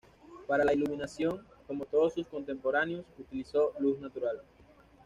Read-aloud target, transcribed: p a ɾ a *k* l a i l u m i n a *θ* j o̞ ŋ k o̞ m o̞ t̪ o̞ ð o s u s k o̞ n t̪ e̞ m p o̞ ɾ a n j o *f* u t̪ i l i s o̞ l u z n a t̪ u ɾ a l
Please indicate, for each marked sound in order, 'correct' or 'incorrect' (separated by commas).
incorrect, incorrect, incorrect